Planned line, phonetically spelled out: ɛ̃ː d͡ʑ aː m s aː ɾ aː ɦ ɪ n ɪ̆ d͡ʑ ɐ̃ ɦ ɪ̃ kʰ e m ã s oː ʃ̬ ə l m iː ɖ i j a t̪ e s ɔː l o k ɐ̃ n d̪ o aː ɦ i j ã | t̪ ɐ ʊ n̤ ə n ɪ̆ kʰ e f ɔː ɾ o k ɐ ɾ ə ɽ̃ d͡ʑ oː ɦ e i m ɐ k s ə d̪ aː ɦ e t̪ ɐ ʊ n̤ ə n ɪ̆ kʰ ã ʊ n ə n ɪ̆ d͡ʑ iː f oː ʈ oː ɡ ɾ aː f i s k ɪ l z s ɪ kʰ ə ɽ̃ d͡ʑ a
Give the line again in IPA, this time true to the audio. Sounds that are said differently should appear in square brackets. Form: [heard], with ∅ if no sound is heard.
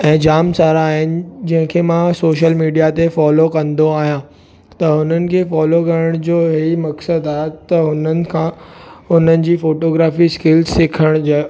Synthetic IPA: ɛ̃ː d͡ʑ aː m s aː ɾ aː ɦ ɪ n ɪ̆ d͡ʑ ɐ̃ ɦ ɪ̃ kʰ e m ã s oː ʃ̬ ə l m iː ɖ i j a t̪ e [f] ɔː l o k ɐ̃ n d̪ o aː ɦ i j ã | t̪ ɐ ʊ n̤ ə n ɪ̆ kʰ e f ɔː [l] o k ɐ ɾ ə ɽ̃ d͡ʑ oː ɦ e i m ɐ k s ə d̪ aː ɦ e t̪ ɐ ʊ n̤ ə n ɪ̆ kʰ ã ʊ n ə n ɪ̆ d͡ʑ iː f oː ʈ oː ɡ ɾ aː f i s k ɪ l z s ɪ kʰ ə ɽ̃ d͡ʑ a